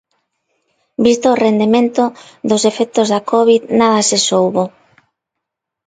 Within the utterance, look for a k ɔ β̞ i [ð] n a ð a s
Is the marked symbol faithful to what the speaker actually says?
yes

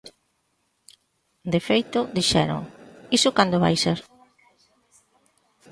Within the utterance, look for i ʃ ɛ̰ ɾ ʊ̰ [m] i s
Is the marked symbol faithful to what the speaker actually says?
no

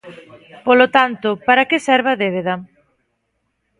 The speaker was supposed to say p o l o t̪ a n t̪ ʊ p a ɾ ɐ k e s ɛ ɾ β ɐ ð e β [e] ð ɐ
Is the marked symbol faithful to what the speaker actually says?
yes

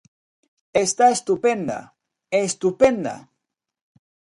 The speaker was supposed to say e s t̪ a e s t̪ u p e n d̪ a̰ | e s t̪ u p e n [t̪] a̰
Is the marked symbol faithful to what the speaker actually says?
no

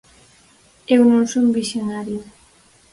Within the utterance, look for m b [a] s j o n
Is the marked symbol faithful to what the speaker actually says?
no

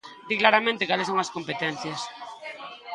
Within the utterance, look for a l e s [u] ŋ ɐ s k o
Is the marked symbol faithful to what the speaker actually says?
no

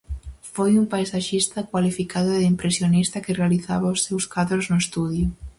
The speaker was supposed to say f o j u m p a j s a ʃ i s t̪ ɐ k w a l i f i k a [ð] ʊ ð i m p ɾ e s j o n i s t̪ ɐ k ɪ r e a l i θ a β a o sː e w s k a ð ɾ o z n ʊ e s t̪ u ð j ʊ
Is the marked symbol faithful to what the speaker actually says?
yes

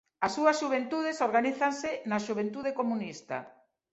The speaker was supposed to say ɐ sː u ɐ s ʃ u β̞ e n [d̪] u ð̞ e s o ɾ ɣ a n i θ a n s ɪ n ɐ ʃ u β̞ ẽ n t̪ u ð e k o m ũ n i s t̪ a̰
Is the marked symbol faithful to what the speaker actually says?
no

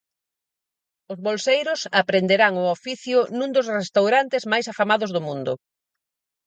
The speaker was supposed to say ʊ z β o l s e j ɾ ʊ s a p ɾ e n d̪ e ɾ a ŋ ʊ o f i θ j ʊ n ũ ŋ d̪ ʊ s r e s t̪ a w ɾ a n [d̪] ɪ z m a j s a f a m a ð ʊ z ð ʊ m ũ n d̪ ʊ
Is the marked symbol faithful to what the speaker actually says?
no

